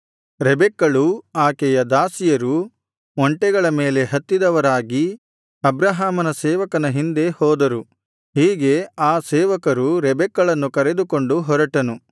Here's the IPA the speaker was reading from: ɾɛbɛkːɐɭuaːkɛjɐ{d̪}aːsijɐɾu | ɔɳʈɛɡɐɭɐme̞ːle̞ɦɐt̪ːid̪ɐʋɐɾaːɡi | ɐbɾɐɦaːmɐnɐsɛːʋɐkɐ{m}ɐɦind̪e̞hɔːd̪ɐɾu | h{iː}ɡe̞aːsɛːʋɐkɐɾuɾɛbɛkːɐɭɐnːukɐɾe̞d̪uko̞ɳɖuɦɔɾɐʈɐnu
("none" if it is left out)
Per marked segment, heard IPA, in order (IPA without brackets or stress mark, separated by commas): d̪, n, iː